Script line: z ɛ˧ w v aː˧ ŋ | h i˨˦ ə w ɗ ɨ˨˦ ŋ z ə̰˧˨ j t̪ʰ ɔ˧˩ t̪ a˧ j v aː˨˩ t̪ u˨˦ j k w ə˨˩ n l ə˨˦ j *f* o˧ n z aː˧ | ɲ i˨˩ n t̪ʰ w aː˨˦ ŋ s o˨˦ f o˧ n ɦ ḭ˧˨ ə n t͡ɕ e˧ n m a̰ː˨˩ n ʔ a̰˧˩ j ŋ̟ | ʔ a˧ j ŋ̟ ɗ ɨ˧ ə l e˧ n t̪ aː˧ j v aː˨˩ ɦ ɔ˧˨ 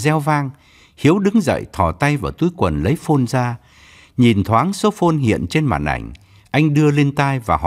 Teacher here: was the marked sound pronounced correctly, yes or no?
yes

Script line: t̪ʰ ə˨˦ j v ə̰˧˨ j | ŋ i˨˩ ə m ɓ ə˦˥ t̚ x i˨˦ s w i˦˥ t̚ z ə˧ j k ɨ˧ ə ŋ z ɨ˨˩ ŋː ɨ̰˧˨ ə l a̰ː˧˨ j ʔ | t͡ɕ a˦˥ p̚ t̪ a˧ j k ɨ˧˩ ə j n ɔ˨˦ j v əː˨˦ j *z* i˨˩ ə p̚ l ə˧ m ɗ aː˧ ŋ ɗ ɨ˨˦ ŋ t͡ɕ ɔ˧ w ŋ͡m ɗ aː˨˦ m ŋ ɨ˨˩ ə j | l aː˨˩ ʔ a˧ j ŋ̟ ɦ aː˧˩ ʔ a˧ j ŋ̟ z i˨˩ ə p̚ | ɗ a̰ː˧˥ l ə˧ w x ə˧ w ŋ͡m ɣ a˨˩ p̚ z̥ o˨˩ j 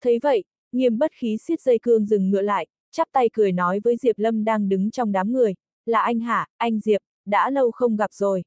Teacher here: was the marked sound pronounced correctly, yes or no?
yes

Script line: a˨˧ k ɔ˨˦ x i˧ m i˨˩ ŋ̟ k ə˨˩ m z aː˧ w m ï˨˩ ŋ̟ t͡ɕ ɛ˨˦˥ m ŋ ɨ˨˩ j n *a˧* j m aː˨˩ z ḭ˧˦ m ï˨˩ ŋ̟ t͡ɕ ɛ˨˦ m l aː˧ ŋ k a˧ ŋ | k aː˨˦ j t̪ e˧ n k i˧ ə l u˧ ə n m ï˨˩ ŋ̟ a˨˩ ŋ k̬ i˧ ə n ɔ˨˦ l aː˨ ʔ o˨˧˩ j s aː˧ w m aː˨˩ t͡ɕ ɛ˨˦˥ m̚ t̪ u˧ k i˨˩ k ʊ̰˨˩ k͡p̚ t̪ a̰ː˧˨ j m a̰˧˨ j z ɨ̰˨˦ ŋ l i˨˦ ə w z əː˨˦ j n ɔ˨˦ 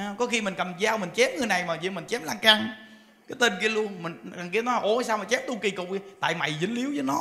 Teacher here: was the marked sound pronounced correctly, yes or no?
no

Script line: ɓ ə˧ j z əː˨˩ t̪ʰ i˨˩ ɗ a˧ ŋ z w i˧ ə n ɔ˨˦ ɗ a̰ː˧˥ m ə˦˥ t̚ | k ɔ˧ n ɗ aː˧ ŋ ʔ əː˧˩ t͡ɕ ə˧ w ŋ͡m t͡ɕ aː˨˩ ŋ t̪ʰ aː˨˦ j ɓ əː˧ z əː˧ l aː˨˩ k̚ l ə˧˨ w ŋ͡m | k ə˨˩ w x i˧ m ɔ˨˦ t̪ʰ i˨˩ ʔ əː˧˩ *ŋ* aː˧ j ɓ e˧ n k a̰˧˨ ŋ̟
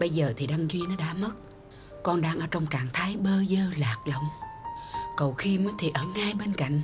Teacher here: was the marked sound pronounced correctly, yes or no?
yes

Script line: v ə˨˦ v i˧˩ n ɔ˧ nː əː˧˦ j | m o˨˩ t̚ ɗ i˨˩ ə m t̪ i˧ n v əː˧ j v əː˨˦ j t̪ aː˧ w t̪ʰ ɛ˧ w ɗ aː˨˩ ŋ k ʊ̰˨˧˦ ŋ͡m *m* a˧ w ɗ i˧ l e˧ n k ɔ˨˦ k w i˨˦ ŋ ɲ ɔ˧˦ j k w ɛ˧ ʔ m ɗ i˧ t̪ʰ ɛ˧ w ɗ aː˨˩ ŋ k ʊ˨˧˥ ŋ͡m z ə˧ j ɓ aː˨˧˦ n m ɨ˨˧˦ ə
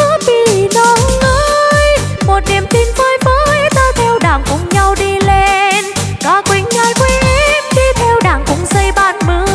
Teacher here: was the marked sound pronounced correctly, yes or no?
no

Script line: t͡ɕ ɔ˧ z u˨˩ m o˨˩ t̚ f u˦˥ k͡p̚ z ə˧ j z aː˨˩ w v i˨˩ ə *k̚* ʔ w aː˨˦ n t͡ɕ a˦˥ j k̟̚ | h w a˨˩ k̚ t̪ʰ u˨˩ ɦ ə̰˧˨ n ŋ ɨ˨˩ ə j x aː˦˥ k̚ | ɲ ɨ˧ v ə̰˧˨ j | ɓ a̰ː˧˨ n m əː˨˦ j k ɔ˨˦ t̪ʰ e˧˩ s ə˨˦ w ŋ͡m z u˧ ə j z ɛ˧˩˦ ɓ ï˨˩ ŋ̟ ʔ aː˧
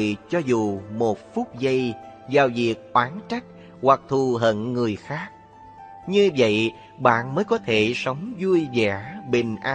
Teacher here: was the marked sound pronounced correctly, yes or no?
yes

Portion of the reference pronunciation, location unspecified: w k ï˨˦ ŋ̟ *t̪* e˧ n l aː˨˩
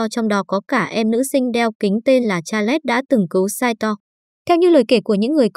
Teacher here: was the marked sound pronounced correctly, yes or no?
yes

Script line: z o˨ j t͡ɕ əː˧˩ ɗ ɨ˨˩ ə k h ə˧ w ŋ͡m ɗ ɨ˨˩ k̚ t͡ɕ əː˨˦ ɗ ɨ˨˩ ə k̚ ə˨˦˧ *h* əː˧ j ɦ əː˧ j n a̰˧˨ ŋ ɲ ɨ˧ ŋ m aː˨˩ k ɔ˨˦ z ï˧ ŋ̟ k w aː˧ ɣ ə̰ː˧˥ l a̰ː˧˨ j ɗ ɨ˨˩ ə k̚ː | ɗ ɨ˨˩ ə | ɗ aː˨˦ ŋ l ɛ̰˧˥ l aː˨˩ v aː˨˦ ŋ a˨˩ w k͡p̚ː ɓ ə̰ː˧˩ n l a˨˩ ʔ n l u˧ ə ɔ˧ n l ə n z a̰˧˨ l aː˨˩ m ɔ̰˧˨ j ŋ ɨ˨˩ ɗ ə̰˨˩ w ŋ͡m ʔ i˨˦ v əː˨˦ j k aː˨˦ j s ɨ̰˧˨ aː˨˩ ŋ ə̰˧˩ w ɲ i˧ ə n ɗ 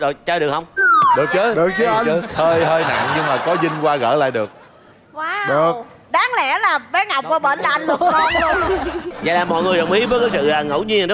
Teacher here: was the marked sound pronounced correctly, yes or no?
yes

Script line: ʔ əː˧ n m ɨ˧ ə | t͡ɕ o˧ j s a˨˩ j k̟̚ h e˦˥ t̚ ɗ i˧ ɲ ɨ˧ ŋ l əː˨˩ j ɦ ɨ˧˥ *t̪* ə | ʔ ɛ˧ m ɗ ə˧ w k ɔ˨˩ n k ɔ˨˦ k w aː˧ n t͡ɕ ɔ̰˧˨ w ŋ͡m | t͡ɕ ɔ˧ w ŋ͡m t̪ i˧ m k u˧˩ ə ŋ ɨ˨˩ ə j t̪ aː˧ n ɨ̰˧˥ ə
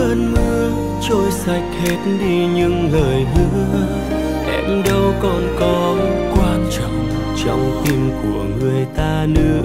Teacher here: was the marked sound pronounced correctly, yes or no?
no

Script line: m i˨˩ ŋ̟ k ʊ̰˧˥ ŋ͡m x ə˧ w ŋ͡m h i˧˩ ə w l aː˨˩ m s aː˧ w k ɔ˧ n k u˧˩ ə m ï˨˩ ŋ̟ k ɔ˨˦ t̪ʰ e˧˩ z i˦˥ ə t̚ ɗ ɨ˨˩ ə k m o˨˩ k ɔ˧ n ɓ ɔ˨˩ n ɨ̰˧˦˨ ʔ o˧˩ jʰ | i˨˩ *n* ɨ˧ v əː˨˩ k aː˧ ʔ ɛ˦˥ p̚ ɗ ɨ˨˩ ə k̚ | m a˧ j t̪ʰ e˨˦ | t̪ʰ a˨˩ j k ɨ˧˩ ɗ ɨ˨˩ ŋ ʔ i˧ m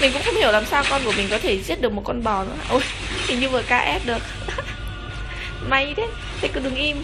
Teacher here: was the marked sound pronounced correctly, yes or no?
no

